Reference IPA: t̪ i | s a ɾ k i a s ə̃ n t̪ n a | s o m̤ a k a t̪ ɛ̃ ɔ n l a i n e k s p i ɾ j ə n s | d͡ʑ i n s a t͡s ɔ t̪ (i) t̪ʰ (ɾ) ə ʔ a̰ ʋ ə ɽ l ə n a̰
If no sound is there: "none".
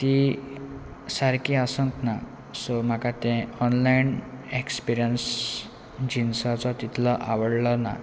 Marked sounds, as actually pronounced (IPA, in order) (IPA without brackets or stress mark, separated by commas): i, l